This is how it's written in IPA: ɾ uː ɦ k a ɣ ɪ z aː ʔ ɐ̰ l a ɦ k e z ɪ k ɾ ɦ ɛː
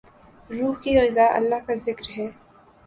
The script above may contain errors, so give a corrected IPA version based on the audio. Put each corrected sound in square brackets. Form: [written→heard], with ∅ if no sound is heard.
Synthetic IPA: ɾ uː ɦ k [a→i] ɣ ɪ z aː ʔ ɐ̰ [l→lː] a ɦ k [e→a] z ɪ k ɾ ɦ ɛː